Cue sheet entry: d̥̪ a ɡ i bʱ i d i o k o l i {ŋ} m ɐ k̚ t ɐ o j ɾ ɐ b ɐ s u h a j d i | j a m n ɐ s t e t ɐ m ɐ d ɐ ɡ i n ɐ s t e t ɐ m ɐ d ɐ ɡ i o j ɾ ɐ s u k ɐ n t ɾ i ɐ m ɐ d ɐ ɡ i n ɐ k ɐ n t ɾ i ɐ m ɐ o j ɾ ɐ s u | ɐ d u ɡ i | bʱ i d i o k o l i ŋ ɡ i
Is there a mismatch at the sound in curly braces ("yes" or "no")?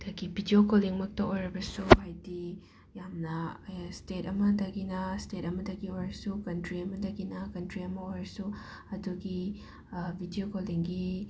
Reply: no